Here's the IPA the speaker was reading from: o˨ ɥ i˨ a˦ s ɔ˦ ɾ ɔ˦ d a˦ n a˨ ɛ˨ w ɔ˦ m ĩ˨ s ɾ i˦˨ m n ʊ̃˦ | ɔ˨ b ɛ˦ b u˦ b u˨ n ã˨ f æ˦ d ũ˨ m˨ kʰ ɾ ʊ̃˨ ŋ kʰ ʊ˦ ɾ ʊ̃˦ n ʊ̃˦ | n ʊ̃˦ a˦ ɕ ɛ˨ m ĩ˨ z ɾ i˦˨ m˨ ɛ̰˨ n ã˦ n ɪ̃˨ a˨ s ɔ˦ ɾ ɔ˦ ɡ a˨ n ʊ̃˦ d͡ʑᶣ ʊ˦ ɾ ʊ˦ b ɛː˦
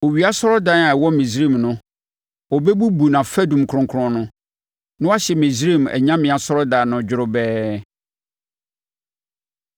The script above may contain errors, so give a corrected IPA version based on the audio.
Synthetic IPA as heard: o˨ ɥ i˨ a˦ s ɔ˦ ɾ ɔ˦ d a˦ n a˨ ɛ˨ w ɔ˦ m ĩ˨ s ɾ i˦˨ m n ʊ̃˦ | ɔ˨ b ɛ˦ b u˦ b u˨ n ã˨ f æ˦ d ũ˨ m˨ kʰ ɾ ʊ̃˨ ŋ kʰ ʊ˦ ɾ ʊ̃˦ n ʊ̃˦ | n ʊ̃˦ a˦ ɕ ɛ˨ m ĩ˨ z ɾ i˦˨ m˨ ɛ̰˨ ɲ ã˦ m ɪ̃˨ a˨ s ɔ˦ ɾ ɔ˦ d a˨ n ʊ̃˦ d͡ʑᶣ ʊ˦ ɾ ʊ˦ b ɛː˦